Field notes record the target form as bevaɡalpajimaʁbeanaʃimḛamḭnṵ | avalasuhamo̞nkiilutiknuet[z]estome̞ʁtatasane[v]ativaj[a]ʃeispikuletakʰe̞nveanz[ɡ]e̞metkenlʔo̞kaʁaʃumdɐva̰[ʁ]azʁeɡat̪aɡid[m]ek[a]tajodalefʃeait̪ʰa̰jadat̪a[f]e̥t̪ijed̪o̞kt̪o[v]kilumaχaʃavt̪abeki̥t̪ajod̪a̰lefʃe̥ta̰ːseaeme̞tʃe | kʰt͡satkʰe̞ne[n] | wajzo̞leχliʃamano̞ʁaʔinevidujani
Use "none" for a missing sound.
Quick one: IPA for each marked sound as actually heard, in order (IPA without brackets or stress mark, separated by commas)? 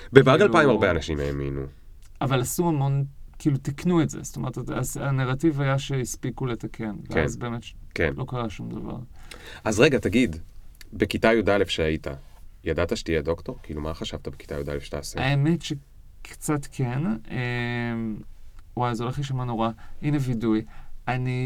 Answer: z, ʁ, a, b, ʁ, b, i, ʃ, ʁ, m